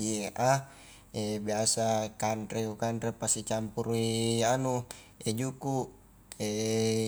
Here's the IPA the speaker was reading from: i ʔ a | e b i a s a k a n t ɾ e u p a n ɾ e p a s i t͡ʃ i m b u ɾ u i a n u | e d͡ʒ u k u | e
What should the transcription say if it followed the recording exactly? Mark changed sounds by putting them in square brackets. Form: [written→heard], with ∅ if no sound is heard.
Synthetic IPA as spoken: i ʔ a | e b i a s a k a n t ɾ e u [p→k] a n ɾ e p a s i t͡ʃ [i→a] m [b→p] u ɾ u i a n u | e d͡ʒ u k u | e